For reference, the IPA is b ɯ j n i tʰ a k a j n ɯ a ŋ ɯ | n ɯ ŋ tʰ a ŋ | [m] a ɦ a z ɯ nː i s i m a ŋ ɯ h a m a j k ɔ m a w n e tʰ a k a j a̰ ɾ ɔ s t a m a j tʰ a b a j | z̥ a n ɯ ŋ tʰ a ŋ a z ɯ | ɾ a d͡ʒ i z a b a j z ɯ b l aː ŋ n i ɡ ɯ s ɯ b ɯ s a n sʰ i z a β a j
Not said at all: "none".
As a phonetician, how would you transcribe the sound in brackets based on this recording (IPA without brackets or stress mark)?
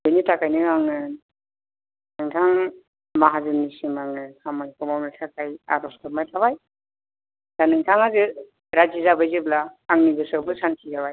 m